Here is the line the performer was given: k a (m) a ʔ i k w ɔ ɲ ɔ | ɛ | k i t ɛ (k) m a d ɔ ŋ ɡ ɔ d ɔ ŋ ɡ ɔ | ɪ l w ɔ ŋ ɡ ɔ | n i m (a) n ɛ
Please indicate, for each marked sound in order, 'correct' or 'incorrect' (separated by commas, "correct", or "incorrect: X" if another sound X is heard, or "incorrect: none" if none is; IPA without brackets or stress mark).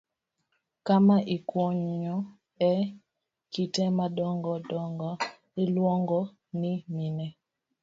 correct, incorrect: none, incorrect: i